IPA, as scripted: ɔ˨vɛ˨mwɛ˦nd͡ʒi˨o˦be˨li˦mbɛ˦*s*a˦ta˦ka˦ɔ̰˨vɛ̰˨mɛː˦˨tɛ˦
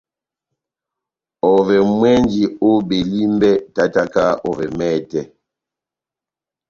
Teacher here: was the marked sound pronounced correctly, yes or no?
no